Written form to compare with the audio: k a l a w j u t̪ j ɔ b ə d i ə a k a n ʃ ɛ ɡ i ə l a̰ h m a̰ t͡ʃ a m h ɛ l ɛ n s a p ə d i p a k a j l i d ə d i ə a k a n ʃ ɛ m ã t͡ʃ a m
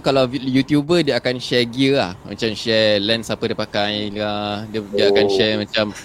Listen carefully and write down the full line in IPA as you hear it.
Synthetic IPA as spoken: k a l a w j u t̪ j u b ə d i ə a k a n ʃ ɛ ɡ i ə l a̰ h m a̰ t͡ʃ a m ʃ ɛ l ɛ n s a p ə d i p a k a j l a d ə d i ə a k a n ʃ ɛ m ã t͡ʃ a m